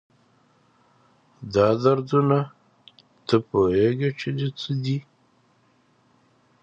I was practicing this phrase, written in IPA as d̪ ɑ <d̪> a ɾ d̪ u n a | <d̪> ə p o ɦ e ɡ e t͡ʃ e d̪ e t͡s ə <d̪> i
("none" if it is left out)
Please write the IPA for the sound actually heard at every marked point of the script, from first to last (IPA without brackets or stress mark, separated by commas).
d̪, t̪, d̪